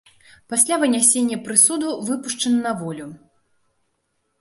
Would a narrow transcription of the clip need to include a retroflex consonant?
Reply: yes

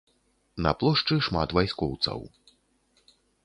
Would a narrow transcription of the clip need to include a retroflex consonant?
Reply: yes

